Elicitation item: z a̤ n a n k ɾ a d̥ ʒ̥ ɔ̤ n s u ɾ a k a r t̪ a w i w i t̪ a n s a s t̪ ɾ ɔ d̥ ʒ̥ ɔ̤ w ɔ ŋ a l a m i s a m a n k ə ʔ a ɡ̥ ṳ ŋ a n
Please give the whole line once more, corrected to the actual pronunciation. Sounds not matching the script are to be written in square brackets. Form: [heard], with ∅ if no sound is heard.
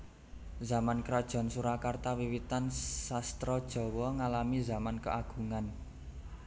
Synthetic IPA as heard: z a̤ [m] a n k ɾ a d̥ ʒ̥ ɔ̤ n s u ɾ a k a r t̪ a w i w i t̪ a n s a s t̪ ɾ ɔ d̥ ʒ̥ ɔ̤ w ɔ ŋ a l a m i [z] a m a n k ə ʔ a ɡ̥ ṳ ŋ a n